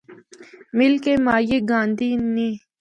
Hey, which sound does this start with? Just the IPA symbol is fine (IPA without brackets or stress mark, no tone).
m